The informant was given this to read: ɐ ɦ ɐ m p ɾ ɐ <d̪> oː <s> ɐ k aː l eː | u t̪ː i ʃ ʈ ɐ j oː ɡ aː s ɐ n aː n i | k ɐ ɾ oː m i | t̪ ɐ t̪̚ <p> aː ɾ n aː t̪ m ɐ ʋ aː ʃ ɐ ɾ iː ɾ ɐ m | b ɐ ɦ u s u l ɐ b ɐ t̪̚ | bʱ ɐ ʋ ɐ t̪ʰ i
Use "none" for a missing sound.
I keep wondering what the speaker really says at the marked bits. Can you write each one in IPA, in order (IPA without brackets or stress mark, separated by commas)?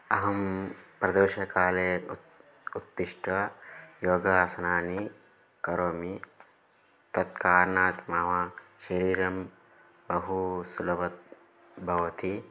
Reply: d̪, ʃ, k